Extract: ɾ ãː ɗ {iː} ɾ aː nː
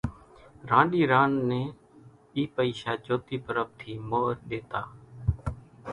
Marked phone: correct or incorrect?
correct